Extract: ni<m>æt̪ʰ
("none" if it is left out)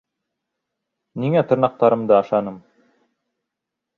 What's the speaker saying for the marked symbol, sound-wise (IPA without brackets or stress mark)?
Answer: ŋ